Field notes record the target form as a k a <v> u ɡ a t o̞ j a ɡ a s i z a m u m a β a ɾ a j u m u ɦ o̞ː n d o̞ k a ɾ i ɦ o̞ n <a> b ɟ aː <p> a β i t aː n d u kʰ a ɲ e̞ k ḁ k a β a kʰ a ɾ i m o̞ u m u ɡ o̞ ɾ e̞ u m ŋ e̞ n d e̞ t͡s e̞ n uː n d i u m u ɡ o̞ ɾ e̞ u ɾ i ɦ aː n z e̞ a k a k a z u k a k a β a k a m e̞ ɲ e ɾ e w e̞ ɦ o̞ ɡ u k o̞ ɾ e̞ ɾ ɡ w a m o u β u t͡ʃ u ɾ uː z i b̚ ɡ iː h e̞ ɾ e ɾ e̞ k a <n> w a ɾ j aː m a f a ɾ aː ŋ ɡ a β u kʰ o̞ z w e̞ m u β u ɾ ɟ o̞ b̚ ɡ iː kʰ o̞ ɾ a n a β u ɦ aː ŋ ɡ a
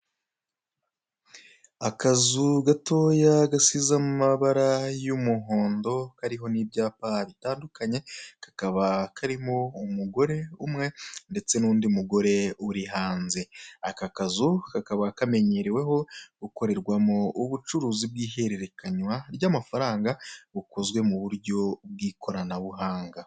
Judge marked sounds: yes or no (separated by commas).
no, no, yes, no